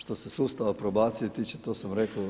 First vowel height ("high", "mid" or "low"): mid